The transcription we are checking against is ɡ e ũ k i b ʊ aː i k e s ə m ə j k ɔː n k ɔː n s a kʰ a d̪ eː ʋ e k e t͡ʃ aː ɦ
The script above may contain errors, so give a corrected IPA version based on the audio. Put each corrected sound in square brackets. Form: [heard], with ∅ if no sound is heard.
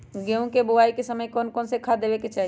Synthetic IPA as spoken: ɡ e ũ k [e] b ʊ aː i k e s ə m ə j k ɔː n k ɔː n s [e] kʰ a d̪ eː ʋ e k e t͡ʃ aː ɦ